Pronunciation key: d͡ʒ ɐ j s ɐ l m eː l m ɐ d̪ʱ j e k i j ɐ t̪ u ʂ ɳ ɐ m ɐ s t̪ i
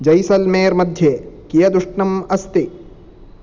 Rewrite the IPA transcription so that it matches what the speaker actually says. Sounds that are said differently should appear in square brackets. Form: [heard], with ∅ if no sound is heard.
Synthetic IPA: d͡ʒ ɐ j s ɐ l m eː [ɾ] m ɐ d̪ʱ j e k i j ɐ [d̪] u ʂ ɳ ɐ m ɐ s t̪ i